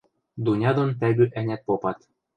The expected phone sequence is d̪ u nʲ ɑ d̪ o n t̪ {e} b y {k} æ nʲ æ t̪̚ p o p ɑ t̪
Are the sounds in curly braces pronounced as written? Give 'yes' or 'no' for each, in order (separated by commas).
no, no